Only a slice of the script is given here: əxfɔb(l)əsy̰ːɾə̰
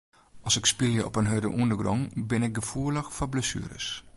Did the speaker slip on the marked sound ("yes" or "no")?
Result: no